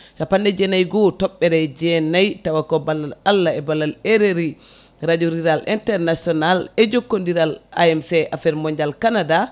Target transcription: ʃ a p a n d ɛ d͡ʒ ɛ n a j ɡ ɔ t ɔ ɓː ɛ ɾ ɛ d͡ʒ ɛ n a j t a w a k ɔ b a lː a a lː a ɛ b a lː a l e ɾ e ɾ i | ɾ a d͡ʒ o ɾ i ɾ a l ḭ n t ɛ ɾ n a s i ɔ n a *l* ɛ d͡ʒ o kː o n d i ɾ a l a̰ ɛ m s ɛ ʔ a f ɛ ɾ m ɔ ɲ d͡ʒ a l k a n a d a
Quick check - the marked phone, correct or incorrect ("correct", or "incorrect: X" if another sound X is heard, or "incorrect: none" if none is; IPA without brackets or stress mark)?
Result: correct